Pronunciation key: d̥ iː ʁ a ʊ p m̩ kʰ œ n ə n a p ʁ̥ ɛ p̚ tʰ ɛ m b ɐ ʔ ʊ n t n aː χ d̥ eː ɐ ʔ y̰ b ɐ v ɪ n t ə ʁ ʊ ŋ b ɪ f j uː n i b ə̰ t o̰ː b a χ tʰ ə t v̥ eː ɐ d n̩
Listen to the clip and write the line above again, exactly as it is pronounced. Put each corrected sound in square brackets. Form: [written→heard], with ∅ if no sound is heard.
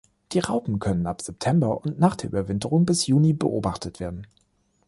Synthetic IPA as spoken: d̥ iː ʁ a ʊ p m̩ kʰ œ n ə n a p [ʁ̥→z̥] ɛ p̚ tʰ ɛ m b ɐ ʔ ʊ n t n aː χ d̥ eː ɐ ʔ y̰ b ɐ v ɪ n t ə ʁ ʊ ŋ b ɪ [f→s] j uː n i b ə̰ [t→ʔ] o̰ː b a χ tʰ ə t v̥ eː ɐ d n̩